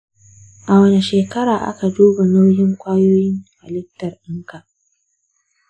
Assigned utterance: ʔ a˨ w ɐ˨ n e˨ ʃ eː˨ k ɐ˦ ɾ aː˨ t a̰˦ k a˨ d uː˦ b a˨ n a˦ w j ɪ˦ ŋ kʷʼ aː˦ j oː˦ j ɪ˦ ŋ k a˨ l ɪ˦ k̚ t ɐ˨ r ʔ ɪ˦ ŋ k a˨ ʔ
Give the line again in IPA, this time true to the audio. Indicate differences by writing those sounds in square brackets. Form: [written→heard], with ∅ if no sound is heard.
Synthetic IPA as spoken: ʔ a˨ w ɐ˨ n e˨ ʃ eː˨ k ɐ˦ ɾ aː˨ [t→ʔ] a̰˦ k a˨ d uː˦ b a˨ n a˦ w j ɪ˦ ŋ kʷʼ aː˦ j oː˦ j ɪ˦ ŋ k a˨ l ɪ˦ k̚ t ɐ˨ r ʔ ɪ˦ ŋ k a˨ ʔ